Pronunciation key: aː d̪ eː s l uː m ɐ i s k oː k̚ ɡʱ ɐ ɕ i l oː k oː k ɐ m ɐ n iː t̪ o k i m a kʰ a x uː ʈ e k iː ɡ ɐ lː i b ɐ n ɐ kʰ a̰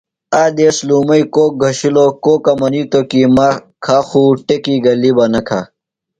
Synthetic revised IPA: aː d̪ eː s l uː m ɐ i k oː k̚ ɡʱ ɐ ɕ i l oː k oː k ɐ m ɐ n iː t̪ o k i m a kʰ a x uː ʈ e k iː ɡ ɐ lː i b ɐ n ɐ kʰ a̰